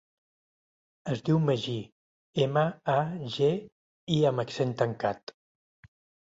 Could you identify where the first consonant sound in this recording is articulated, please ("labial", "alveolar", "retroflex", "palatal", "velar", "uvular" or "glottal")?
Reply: alveolar